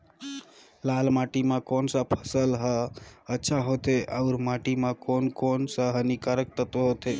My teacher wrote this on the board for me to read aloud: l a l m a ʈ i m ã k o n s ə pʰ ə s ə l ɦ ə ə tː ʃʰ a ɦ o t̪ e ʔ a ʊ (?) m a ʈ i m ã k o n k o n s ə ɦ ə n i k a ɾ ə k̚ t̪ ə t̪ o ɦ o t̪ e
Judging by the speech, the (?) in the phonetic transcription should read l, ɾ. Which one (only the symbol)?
ɾ